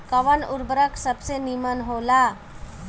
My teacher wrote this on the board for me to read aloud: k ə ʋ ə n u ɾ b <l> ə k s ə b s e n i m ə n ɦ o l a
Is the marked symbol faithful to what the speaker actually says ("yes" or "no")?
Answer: no